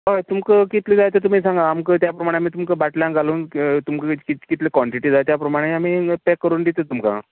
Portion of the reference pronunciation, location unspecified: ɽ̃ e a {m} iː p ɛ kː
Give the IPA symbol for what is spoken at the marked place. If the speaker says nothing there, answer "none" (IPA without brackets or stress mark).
m